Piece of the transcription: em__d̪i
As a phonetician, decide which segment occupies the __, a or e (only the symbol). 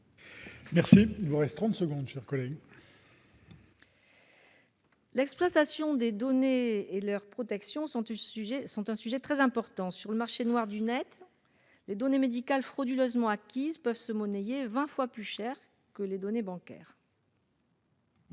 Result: e